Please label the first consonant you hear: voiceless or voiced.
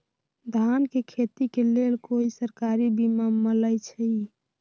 voiced